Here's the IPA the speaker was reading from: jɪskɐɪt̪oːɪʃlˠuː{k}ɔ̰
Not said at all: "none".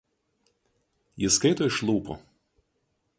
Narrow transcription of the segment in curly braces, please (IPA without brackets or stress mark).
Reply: p